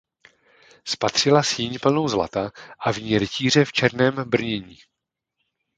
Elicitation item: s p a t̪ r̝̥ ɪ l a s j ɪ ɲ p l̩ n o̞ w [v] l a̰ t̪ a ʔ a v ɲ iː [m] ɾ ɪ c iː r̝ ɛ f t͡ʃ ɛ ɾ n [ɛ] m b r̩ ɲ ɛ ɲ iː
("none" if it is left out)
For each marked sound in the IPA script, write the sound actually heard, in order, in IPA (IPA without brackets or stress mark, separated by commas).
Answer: z, none, ɛː